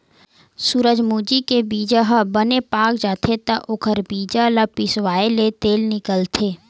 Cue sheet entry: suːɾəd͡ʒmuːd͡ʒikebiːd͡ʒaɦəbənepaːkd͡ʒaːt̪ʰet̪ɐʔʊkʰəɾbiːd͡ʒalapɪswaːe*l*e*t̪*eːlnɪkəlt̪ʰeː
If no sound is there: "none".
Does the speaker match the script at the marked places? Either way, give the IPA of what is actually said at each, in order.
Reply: l, t̪

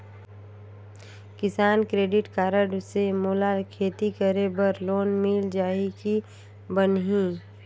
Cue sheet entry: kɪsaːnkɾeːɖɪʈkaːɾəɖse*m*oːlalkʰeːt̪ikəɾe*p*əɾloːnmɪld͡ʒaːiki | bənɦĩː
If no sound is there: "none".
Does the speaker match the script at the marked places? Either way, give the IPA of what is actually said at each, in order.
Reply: m, b

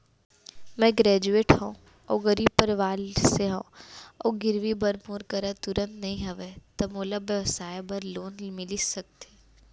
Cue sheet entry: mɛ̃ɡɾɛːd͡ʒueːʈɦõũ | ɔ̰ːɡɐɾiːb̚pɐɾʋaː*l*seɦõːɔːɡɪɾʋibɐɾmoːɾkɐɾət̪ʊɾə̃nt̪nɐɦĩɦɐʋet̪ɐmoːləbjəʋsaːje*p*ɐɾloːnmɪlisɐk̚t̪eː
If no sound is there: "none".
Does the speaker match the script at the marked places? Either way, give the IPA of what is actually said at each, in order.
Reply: l, b

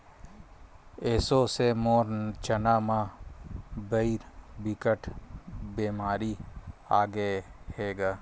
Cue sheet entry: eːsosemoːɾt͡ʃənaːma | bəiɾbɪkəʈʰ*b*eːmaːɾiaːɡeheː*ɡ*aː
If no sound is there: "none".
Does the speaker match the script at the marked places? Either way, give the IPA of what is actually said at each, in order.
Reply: b, ɡ

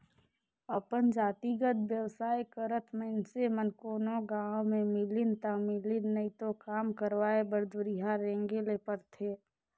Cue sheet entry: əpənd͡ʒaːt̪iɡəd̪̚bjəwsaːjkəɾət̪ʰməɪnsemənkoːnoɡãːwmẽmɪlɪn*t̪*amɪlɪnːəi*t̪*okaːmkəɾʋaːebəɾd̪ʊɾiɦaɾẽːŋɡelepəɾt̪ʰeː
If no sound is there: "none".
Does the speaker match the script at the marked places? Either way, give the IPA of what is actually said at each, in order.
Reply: t̪, t̪

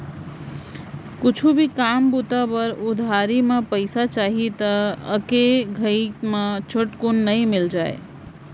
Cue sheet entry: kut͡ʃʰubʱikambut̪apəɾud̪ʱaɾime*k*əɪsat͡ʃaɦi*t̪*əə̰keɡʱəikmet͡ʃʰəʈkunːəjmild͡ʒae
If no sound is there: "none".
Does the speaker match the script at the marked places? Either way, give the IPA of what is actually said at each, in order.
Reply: p, t̪

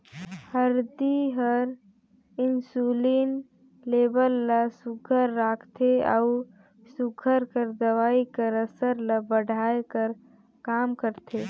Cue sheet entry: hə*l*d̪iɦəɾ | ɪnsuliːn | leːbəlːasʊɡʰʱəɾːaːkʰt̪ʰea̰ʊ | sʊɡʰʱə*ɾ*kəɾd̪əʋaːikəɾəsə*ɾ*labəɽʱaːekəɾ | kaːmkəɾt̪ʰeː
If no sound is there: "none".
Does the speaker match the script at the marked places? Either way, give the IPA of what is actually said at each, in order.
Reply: ɾ, ɾ, ɾ

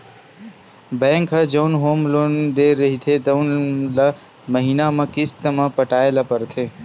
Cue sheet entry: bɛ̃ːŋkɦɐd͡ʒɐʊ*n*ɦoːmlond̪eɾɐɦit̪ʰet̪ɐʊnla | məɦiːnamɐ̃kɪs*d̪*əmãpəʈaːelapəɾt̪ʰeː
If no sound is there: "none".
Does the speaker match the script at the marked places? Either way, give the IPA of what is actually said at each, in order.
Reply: n, t̪

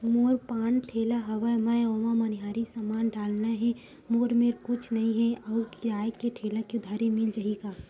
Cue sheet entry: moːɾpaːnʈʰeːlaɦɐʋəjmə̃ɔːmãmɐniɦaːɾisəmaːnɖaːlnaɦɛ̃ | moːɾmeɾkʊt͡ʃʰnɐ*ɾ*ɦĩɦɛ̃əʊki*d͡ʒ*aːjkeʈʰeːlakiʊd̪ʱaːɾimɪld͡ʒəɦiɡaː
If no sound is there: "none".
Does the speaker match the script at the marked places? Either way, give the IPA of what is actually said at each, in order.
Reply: none, none

